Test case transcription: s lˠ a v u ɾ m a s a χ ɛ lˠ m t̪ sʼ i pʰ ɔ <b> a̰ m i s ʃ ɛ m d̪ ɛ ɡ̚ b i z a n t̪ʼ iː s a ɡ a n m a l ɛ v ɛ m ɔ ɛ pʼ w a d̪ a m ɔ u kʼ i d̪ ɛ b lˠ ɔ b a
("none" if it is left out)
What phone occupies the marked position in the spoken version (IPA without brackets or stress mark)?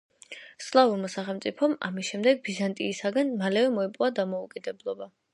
m